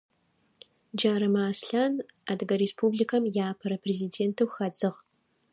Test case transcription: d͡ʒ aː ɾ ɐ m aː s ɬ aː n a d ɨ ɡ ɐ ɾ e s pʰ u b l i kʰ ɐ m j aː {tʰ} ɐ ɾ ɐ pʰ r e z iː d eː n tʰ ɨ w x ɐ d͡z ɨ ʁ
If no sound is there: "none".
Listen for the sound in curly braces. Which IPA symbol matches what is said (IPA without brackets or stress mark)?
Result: pʰ